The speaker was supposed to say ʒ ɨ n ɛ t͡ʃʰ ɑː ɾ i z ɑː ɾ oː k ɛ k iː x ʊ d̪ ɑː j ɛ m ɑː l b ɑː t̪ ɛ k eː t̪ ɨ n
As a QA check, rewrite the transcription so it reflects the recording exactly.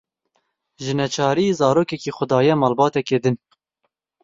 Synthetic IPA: ʒ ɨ n ɛ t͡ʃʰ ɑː ɾ i z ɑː ɾ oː k ɛ k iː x ʊ d̪ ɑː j ɛ m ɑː l b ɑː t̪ ɛ k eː d̪ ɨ n